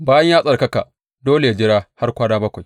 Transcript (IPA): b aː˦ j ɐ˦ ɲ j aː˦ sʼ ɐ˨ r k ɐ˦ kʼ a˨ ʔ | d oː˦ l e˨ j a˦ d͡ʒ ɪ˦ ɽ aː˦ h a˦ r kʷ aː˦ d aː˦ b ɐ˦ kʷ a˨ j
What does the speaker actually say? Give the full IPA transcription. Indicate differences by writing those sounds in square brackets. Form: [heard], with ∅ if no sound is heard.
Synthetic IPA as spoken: b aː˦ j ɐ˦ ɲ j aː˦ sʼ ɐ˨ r k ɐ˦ [k] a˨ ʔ | d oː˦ l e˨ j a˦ d͡ʒ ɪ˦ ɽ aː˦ h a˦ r kʷ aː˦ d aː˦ b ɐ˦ kʷ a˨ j